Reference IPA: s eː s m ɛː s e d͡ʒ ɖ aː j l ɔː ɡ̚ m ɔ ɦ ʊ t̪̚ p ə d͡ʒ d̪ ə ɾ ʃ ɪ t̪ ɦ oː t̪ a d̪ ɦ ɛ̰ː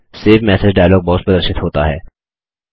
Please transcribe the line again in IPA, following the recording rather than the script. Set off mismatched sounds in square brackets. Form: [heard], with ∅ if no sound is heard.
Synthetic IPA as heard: s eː [f] m ɛː s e d͡ʒ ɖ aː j l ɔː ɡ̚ [b] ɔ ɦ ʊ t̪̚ p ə [∅] d̪ ə ɾ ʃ ɪ t̪ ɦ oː t̪ a [∅] ɦ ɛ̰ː